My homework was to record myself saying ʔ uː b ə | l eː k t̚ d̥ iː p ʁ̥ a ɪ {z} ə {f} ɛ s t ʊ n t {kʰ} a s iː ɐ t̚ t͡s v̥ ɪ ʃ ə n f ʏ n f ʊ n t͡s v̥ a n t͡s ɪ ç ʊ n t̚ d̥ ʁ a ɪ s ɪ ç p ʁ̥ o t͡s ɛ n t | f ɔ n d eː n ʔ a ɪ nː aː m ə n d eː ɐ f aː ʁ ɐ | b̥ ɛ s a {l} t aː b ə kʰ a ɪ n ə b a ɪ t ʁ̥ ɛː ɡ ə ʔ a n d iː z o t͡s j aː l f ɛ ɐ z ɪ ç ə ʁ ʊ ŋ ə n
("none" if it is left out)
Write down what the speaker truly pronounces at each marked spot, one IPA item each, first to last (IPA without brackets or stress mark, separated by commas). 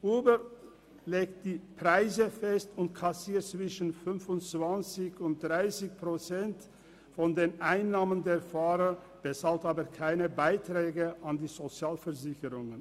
z, f, kʰ, l